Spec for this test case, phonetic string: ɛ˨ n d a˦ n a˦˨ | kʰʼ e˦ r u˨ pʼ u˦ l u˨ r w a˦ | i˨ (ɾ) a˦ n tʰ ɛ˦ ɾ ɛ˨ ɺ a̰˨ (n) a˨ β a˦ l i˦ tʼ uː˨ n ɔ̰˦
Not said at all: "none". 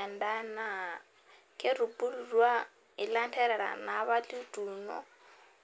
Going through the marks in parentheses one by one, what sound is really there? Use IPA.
l, n

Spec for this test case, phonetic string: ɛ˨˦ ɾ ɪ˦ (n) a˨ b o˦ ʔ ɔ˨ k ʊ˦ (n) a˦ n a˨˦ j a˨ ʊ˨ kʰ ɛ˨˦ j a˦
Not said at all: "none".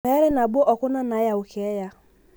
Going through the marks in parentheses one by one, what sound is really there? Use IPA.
n, n

